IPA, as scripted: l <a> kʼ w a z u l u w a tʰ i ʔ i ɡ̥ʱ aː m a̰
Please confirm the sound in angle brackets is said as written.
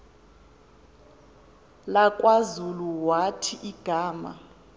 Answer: yes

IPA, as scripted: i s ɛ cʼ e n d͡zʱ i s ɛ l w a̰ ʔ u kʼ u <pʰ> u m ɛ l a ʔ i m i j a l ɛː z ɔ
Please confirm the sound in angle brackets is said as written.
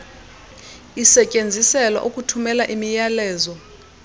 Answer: no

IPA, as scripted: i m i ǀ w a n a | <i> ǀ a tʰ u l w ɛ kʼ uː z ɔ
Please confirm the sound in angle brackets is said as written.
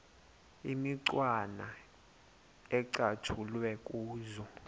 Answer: no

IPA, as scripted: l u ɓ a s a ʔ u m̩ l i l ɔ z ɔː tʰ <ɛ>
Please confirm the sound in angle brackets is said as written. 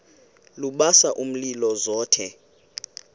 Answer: yes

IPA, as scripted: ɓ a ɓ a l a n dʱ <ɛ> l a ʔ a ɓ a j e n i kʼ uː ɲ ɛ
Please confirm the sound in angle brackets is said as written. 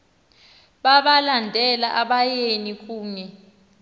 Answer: yes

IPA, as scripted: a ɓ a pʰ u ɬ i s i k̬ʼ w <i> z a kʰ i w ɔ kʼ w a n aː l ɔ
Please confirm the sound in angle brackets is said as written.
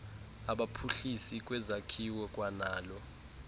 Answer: no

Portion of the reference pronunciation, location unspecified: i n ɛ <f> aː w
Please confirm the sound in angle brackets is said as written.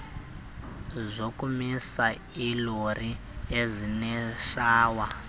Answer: no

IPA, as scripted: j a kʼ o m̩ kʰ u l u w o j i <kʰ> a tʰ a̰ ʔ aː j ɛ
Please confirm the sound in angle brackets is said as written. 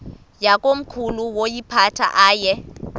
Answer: no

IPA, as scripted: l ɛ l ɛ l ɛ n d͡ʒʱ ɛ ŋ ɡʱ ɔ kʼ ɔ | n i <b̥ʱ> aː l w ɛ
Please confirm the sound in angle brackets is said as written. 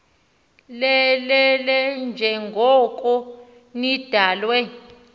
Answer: no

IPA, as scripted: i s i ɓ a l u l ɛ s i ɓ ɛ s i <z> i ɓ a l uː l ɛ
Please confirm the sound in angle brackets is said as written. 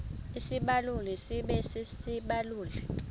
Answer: no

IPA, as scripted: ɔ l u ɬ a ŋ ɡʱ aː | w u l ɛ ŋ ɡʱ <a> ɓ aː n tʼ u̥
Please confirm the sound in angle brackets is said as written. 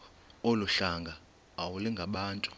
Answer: yes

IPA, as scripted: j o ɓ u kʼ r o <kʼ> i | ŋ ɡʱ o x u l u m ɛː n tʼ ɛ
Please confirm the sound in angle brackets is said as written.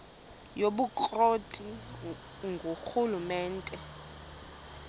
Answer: no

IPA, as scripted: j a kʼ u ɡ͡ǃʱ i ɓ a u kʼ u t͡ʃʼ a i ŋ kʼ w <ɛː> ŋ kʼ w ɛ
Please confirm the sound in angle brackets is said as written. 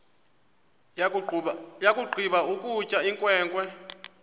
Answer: yes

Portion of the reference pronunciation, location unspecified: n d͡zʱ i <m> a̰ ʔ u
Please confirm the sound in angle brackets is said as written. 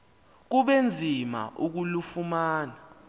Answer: yes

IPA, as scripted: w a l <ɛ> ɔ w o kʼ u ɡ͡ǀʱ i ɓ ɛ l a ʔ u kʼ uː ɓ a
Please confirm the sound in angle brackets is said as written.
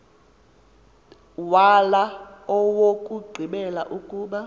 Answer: no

